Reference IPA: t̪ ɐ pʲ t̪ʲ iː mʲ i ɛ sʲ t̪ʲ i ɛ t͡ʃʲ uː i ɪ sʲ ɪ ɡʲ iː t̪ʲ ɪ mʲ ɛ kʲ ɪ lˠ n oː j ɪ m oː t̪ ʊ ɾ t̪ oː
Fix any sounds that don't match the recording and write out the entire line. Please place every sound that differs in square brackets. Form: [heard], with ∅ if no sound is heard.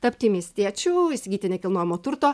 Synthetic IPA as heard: t̪ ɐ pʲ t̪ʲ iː mʲ i ɛ sʲ t̪ʲ i ɛ t͡ʃʲ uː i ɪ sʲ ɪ ɡʲ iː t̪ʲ ɪ [nʲ] ɛ kʲ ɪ lˠ n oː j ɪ m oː t̪ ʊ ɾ t̪ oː